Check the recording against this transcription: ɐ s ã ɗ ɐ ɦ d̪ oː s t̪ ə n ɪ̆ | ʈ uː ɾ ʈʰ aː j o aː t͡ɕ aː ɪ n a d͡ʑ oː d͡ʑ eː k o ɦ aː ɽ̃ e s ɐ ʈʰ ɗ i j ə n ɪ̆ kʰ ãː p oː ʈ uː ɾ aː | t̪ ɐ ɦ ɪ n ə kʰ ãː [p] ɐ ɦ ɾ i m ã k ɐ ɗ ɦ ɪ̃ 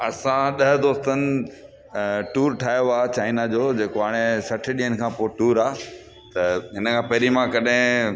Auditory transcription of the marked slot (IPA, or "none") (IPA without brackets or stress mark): p